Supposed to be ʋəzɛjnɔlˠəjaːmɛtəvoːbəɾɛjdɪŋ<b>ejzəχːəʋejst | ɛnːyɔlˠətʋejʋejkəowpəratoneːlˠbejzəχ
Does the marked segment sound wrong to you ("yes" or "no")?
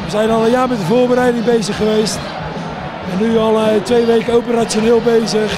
no